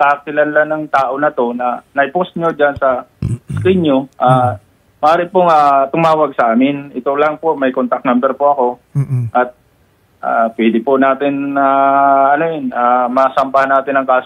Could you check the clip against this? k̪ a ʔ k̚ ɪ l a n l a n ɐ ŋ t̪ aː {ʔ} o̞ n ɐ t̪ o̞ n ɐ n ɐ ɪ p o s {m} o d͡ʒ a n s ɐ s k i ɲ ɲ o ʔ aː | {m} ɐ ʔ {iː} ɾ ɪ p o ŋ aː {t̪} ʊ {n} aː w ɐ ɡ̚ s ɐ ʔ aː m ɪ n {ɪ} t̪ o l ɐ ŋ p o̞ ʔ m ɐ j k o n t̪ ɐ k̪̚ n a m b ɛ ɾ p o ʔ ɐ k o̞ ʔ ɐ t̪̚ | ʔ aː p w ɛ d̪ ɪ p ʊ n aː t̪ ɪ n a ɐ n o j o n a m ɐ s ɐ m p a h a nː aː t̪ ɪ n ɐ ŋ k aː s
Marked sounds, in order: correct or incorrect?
correct, incorrect: ɲ, correct, incorrect: aː, correct, incorrect: m, correct

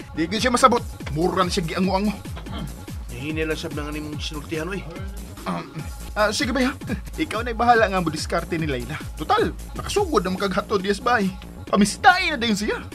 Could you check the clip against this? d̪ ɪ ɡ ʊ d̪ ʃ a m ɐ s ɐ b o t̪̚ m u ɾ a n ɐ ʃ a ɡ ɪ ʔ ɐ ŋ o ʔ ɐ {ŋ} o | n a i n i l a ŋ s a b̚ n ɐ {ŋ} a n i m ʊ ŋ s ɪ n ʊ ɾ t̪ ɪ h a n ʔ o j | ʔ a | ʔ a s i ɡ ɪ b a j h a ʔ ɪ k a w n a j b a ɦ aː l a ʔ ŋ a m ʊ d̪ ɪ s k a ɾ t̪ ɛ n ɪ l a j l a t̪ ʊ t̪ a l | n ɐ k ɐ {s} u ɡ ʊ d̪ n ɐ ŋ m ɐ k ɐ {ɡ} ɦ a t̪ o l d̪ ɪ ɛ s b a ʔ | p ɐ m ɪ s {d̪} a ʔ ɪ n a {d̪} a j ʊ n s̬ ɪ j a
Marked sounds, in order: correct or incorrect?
correct, correct, correct, correct, incorrect: t̪, correct

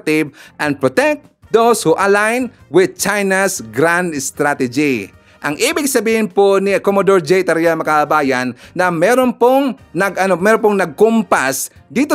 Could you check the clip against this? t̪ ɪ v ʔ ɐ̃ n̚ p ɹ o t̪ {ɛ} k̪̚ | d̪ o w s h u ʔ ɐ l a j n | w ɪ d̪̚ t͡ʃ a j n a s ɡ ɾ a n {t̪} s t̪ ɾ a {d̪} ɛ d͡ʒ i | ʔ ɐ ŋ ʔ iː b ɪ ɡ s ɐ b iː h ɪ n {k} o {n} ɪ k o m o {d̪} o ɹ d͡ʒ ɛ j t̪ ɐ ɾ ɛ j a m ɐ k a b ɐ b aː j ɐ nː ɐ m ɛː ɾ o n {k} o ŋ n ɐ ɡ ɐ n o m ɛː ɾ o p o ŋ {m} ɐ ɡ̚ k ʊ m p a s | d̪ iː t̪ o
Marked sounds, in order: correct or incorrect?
correct, incorrect: d̪, incorrect: t̪, incorrect: p, correct, correct, incorrect: p, incorrect: n

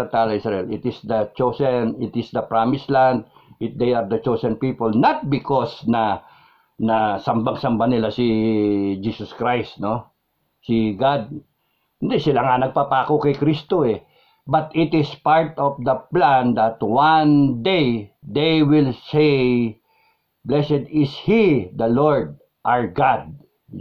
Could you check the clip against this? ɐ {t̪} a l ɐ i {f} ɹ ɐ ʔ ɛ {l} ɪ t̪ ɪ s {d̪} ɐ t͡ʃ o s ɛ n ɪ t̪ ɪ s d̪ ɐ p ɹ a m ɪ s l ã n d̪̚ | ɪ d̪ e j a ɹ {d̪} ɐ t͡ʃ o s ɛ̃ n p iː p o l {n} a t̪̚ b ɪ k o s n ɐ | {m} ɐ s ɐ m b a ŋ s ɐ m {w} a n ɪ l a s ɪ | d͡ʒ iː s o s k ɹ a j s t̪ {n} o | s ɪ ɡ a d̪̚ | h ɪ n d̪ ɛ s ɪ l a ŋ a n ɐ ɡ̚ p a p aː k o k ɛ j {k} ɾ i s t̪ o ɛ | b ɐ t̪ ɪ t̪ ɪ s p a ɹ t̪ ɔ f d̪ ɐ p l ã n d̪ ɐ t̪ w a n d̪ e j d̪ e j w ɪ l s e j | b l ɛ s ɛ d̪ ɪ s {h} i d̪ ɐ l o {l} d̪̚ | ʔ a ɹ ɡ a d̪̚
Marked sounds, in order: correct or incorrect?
correct, incorrect: s, correct, correct, correct, correct, incorrect: n, incorrect: b, correct, correct, correct, incorrect: ɹ

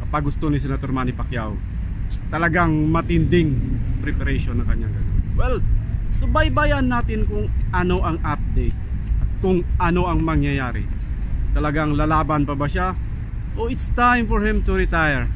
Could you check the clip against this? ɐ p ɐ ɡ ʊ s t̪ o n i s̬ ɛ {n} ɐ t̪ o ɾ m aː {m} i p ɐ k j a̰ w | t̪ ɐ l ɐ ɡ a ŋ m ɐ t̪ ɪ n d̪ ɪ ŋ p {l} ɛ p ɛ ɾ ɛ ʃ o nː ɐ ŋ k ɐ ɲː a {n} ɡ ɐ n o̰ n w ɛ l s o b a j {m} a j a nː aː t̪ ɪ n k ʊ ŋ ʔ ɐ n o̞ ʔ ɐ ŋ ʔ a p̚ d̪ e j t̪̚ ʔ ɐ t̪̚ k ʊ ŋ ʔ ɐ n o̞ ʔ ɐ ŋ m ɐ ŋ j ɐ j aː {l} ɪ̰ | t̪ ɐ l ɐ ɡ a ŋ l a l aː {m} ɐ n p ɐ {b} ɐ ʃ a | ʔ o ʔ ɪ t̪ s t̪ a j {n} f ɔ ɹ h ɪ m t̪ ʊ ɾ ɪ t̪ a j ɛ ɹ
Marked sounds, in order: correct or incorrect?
correct, incorrect: n, incorrect: ɾ, incorrect: ŋ, incorrect: b, incorrect: ɾ, incorrect: b, correct, incorrect: m

